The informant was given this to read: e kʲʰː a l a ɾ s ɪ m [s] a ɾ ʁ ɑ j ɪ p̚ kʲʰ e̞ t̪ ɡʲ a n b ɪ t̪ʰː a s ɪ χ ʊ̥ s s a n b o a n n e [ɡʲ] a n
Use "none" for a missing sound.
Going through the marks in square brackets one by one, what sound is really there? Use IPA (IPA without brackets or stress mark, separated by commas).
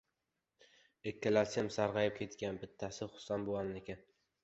s, kʲ